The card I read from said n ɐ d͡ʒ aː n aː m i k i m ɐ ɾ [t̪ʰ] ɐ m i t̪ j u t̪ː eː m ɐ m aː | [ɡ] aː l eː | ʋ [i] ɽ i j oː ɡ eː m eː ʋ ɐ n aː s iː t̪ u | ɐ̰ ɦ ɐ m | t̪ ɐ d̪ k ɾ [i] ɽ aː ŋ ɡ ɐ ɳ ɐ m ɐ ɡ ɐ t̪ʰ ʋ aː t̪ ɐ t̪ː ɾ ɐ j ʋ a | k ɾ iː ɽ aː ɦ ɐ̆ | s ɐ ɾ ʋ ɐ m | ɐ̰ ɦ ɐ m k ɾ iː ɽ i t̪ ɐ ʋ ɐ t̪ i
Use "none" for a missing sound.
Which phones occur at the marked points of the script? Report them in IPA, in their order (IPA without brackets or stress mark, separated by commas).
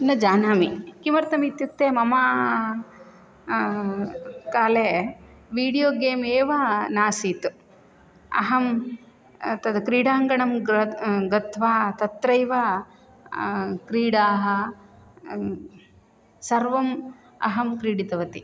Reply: t̪, k, iː, iː